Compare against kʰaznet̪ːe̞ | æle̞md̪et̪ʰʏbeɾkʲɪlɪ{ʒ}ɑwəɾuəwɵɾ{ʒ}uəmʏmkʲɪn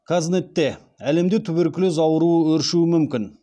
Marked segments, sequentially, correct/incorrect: incorrect: z, incorrect: ʃ

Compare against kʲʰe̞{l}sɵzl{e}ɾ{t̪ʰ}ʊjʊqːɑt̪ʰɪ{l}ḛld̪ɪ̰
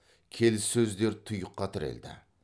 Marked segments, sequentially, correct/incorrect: correct, correct, correct, incorrect: ɾ

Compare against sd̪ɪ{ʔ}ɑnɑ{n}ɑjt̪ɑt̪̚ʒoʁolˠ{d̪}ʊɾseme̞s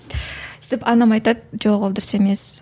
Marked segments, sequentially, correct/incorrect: incorrect: p, incorrect: m, correct

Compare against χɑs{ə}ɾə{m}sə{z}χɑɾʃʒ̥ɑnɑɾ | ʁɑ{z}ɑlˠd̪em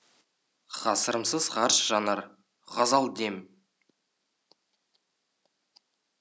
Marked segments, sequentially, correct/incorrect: correct, correct, correct, correct

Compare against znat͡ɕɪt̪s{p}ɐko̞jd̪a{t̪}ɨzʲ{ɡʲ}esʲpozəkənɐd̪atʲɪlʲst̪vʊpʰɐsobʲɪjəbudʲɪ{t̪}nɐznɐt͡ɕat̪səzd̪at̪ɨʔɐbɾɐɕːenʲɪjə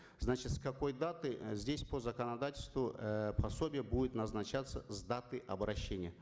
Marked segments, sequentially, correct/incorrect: incorrect: k, correct, incorrect: dʲ, correct

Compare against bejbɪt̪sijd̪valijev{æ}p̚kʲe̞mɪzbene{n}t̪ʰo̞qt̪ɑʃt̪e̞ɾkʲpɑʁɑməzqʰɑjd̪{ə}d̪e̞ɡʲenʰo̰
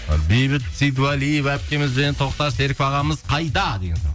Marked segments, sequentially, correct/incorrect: correct, correct, incorrect: ɑ

